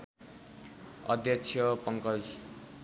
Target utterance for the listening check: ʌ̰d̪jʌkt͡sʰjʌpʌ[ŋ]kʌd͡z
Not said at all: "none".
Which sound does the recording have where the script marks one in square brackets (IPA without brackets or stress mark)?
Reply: ŋ